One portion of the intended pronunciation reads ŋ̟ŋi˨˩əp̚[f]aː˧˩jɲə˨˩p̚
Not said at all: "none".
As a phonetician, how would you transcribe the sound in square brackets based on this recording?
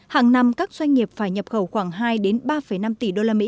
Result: f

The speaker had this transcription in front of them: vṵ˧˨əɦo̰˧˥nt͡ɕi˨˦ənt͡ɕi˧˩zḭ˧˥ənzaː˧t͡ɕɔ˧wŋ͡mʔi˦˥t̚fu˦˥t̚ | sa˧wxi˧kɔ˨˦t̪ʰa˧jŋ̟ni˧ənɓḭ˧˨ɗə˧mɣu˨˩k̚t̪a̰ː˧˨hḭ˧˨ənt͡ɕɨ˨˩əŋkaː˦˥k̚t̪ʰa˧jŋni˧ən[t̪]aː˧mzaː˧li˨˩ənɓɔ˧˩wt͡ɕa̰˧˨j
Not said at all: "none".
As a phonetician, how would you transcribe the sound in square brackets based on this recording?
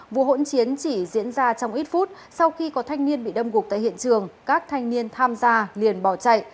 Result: t̪ʰ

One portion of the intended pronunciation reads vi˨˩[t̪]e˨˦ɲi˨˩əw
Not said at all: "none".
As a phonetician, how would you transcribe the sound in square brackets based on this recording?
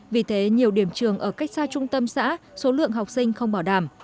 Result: t̪ʰ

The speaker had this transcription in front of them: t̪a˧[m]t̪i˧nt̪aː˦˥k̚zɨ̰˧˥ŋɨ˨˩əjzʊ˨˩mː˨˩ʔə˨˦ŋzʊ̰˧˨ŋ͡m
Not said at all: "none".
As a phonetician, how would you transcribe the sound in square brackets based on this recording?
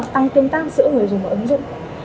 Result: ŋ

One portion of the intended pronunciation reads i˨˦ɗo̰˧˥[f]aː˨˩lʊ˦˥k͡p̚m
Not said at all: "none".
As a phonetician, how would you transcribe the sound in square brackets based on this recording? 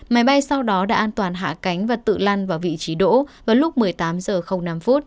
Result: v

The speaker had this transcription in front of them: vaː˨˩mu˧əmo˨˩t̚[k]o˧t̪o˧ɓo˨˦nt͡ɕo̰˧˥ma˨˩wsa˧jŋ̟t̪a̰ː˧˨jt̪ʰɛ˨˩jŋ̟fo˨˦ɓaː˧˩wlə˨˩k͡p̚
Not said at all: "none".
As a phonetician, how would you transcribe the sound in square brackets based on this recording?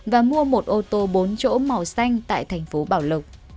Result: ʔ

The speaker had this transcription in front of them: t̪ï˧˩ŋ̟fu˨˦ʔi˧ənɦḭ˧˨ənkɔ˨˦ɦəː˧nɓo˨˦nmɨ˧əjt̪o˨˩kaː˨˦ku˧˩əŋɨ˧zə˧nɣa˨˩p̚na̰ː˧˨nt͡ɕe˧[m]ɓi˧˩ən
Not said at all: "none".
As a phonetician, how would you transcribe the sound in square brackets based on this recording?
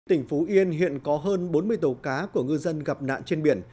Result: n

